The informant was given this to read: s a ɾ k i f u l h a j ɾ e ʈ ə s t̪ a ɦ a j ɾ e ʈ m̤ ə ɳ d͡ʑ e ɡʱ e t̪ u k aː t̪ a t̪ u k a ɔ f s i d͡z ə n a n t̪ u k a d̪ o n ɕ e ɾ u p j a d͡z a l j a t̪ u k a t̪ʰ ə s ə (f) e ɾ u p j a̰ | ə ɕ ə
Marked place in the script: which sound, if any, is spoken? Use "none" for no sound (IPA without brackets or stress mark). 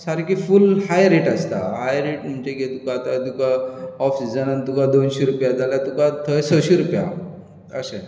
ɕ